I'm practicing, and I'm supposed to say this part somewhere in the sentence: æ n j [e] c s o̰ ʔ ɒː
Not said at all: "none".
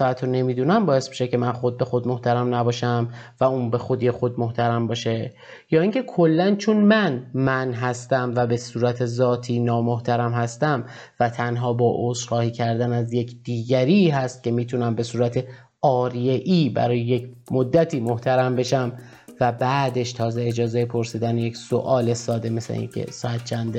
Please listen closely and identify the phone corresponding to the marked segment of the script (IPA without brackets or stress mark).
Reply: e